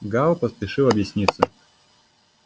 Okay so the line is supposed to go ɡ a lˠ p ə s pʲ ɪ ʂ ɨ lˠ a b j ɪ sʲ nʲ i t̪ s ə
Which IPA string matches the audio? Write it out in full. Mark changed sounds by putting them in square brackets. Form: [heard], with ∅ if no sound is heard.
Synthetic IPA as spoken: ɡ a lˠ p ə s pʲ ɪ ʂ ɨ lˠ [ɐ] b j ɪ sʲ nʲ i t̪ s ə